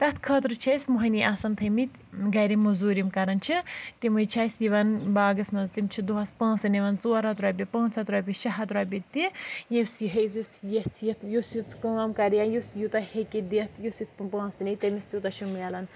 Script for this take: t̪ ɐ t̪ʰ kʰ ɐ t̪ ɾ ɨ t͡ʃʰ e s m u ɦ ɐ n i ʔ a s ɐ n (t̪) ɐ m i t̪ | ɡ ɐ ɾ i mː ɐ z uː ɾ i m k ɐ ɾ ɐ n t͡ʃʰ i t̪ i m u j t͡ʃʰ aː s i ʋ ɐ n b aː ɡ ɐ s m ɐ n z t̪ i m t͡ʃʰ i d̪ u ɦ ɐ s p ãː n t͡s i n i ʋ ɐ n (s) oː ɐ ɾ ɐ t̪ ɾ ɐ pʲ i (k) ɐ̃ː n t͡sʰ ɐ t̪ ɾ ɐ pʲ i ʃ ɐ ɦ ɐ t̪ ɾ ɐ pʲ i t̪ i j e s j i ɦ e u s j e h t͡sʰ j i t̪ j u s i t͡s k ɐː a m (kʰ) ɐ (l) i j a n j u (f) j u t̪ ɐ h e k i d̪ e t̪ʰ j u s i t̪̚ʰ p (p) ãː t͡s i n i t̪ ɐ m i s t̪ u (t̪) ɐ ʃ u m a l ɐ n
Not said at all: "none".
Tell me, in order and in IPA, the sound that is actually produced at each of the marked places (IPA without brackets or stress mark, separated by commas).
t̪ʰ, t͡s, p, k, ɾ, s, p, t̪